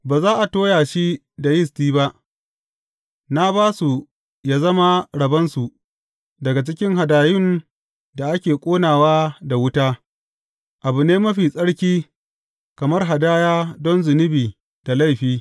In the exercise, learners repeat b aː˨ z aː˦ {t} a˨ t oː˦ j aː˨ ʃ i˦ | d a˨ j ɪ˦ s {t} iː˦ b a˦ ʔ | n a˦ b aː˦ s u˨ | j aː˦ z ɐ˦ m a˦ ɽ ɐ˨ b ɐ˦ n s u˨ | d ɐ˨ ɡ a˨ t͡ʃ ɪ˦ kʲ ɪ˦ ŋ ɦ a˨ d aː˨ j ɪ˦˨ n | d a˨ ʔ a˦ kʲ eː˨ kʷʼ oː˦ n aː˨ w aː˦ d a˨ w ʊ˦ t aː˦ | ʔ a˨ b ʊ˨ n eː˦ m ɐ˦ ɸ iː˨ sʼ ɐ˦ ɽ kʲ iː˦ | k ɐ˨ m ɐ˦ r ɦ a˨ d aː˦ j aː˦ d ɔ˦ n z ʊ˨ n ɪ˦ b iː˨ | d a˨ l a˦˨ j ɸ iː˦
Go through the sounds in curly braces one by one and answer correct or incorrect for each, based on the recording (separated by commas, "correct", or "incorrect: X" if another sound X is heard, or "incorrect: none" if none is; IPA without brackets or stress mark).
incorrect: ʔ, correct